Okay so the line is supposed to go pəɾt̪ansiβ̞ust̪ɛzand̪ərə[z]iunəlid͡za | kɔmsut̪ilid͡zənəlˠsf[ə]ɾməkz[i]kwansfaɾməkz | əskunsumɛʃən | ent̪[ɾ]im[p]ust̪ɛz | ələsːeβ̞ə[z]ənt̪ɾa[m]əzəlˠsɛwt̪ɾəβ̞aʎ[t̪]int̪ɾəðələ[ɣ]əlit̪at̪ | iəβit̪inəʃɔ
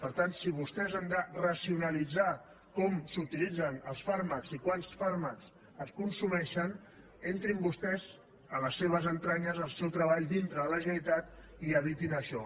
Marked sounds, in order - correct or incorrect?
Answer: incorrect: s, incorrect: a, correct, correct, incorrect: b, correct, incorrect: ɲ, incorrect: d̪, incorrect: ʒ

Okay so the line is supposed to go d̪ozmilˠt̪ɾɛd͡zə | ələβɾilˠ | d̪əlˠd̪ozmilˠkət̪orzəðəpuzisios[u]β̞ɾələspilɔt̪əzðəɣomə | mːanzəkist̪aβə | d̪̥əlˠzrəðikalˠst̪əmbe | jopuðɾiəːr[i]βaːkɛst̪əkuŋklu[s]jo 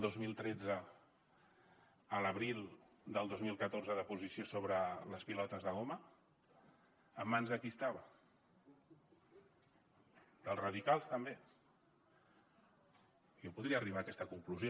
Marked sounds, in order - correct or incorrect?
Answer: incorrect: o, correct, incorrect: z

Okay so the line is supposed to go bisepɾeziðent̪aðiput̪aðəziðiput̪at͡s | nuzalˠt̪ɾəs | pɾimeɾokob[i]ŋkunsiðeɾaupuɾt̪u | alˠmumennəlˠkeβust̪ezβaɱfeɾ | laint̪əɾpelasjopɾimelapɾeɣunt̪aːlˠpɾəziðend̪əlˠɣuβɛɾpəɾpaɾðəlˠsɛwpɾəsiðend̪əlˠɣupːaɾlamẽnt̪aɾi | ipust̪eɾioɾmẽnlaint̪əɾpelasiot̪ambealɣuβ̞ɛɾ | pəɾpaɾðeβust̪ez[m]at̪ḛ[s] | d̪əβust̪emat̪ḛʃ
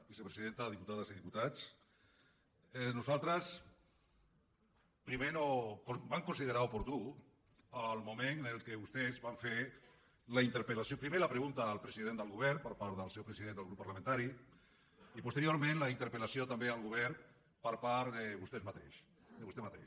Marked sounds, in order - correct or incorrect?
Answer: incorrect: a, correct, incorrect: ʃ

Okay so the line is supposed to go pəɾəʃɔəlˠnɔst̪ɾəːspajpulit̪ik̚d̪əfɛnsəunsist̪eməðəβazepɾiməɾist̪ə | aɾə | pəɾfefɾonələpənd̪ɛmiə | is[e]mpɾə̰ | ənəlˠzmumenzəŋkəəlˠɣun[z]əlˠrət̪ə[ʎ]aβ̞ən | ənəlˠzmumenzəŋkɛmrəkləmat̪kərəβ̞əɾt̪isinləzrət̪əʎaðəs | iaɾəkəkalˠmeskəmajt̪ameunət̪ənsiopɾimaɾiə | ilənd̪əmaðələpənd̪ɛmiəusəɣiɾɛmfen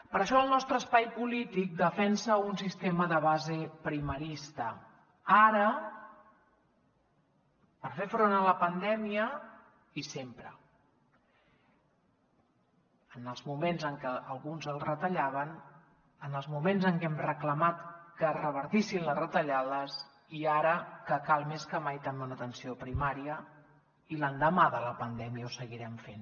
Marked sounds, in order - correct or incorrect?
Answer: correct, correct, correct

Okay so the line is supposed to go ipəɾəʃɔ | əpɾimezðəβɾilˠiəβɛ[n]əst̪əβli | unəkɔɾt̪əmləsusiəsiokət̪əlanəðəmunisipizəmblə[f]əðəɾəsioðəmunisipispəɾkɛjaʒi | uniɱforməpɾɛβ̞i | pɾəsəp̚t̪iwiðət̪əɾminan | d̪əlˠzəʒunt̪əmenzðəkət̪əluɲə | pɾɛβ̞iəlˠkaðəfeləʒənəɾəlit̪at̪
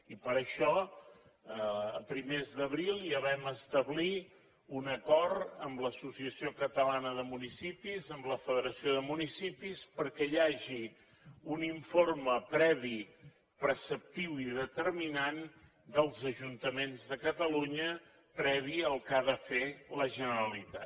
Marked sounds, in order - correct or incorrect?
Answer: incorrect: m, correct

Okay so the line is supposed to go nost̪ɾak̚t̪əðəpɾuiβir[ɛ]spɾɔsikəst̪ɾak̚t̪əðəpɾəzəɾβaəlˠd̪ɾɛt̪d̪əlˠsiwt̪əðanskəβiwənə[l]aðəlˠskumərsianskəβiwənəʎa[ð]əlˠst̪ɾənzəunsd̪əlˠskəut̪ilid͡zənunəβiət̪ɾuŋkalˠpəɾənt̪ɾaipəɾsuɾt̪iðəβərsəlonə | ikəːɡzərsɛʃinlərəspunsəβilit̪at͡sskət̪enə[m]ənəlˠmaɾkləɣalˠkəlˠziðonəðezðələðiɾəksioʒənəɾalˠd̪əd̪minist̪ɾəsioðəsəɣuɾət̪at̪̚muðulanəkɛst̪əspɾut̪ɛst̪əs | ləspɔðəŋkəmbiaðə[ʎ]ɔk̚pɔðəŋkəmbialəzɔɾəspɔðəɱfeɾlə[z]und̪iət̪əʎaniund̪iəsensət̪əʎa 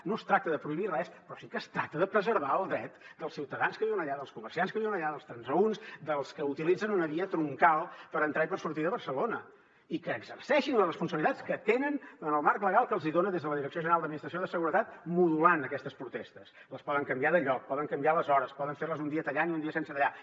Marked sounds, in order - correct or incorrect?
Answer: correct, incorrect: ʎ, correct, incorrect: n, correct, correct

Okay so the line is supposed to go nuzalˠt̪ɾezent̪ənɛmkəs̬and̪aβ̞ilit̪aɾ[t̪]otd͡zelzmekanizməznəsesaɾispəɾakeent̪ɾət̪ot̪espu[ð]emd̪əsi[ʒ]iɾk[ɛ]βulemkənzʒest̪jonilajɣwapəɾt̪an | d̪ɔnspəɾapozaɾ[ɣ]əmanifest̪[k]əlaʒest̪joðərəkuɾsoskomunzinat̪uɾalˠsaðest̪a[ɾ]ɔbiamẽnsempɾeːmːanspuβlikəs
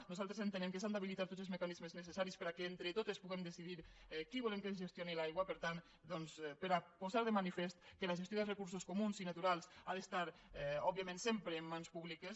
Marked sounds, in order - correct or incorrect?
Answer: correct, incorrect: ɣ, incorrect: ð, incorrect: i, incorrect: ð, correct, correct

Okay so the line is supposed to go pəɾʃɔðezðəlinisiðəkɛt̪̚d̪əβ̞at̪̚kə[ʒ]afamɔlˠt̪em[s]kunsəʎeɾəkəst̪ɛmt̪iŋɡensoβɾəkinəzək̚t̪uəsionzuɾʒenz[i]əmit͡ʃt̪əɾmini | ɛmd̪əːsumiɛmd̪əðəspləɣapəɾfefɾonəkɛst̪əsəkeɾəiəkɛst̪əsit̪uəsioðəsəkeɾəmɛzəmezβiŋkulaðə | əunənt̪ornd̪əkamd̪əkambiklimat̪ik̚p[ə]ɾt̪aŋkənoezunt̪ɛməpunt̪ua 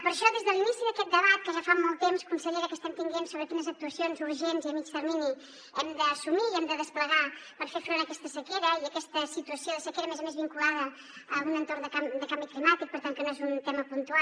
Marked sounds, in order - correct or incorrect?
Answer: correct, correct, correct, correct

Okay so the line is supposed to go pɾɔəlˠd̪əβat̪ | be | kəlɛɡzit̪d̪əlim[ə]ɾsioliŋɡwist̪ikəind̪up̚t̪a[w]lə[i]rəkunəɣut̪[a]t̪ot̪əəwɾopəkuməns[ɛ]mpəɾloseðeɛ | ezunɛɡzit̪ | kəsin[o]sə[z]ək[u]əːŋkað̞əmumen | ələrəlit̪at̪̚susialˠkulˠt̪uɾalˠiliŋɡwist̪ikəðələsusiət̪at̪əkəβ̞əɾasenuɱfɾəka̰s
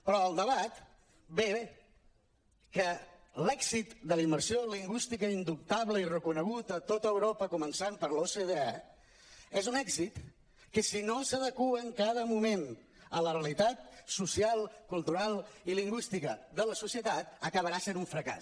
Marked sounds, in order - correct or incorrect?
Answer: correct, incorrect: β, correct, incorrect: ə, incorrect: a, correct, incorrect: ð, correct

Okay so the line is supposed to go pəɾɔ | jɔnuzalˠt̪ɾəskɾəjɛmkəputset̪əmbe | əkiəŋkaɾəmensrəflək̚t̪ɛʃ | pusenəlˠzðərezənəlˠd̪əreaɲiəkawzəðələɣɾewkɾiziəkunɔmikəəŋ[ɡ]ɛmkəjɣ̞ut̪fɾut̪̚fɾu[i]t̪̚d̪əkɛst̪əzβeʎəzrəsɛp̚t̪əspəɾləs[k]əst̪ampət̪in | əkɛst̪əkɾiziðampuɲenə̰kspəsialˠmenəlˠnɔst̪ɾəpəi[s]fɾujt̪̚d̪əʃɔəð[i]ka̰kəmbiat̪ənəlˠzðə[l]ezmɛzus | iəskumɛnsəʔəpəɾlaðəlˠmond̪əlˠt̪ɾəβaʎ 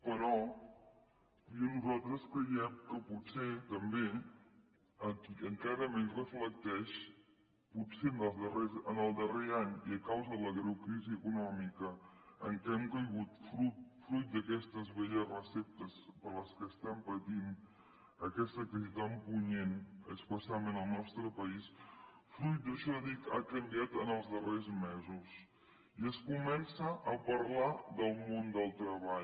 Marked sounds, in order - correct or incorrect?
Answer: incorrect: k, incorrect: j, correct, correct, correct, incorrect: r

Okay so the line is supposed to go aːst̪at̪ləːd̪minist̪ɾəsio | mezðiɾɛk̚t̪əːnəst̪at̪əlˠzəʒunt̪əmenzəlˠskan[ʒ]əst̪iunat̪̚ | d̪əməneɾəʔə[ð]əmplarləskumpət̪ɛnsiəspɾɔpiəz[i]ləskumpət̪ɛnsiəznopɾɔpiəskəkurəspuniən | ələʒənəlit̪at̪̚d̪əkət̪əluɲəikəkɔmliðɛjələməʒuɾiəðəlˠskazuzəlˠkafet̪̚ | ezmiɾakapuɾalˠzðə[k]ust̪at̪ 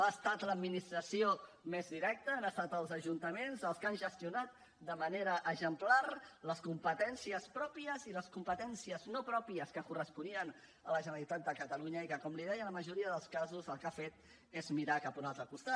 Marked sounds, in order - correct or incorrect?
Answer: correct, incorrect: ʒ, correct, correct

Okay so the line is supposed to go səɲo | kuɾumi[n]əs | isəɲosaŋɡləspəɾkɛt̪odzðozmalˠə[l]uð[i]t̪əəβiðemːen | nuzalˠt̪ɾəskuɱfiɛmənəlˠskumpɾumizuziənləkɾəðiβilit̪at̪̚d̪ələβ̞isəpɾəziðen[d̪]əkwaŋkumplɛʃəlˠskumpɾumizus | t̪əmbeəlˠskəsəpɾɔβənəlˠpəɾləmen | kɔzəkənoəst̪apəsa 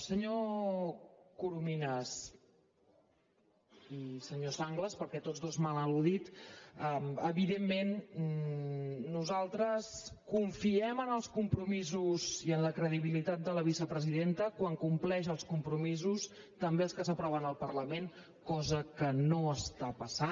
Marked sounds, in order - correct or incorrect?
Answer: correct, correct, correct, incorrect: t̪

